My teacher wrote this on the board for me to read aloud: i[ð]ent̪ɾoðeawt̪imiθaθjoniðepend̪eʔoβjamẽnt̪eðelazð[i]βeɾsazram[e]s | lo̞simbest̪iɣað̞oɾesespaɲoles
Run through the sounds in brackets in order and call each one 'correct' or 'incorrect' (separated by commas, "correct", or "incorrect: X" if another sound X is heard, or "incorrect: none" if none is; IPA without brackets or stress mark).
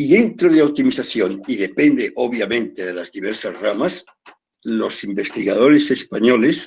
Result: correct, correct, incorrect: a